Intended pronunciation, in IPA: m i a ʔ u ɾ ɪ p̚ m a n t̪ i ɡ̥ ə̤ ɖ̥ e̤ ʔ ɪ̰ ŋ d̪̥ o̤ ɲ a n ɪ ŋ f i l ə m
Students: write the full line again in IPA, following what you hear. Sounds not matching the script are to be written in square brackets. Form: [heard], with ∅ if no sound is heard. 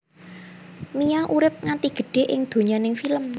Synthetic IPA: m i a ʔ u ɾ ɪ p̚ [ŋ] a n t̪ i ɡ̥ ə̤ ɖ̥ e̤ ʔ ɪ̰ ŋ d̪̥ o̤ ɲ a n ɪ ŋ f i l ə m